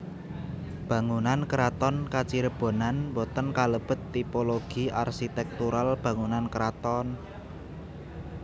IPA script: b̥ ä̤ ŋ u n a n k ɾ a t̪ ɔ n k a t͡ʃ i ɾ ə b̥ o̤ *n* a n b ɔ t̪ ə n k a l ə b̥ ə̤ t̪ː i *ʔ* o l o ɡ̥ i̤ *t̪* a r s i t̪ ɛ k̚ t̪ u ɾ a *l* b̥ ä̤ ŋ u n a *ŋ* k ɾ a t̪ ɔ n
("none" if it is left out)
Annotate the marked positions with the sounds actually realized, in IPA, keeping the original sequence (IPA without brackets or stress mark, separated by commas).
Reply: n, p, none, l, n